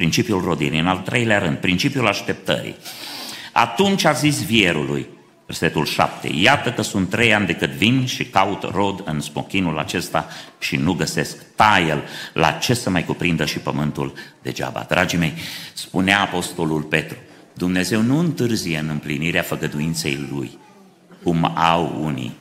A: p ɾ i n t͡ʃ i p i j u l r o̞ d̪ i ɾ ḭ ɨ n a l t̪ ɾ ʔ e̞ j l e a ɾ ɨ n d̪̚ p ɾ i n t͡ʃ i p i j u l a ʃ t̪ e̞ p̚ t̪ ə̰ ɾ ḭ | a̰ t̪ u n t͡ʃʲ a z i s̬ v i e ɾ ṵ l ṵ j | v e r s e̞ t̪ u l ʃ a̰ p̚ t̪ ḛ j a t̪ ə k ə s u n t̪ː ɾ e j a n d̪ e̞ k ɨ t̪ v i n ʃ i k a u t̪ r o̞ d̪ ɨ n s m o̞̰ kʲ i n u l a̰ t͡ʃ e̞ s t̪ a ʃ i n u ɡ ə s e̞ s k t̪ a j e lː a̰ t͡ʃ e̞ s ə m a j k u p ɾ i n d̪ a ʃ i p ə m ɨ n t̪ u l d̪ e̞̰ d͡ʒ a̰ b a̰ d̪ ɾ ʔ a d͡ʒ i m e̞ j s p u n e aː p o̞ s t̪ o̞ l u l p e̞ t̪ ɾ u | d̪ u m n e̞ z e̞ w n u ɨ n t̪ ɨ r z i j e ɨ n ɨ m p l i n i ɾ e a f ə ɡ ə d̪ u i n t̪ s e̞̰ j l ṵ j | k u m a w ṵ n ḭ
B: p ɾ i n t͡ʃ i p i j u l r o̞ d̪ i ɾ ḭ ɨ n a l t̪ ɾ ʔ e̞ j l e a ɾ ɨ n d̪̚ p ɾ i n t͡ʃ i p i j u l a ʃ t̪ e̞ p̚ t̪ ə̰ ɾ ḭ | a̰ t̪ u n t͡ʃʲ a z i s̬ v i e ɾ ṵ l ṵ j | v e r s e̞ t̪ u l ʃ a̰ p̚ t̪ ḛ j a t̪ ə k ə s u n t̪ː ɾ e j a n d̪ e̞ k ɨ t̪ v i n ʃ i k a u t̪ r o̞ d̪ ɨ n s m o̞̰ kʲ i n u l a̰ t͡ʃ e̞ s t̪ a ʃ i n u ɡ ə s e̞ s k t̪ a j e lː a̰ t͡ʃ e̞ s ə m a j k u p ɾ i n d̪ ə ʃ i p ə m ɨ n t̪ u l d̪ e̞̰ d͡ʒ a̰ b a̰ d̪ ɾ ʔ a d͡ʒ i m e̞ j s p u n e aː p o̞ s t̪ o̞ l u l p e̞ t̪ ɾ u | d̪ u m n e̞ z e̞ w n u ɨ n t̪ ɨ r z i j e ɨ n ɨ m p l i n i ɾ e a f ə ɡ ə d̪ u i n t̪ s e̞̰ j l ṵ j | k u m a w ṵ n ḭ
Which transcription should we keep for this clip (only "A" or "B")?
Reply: B